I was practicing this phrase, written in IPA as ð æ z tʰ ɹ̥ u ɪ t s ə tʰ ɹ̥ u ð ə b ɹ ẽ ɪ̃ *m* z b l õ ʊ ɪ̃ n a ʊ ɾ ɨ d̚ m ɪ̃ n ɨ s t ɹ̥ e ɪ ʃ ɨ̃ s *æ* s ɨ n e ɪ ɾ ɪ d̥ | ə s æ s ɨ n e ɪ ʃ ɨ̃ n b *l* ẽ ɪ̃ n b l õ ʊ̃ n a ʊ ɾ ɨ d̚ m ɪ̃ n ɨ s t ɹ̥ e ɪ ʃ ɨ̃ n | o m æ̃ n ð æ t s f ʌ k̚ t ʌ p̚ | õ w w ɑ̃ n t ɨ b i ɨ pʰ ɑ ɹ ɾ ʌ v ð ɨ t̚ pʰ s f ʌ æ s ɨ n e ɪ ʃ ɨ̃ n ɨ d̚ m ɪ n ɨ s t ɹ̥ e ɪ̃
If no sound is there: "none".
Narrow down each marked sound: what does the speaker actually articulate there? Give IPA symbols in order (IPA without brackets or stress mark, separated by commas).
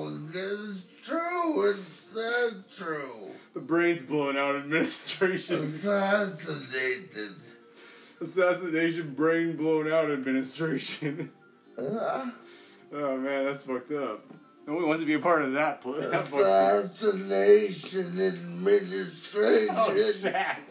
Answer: n, æ, ɹ